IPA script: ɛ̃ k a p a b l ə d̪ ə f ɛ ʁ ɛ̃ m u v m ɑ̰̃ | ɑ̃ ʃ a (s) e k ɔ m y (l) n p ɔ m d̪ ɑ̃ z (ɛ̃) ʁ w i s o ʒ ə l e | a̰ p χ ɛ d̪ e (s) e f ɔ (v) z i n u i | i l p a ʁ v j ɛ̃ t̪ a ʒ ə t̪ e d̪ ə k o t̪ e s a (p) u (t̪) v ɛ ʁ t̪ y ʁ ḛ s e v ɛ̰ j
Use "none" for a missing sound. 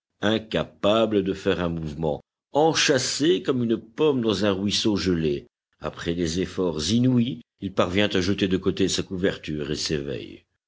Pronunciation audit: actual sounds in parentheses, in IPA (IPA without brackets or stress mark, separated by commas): s, none, ɛ̃, z, ʁ, k, none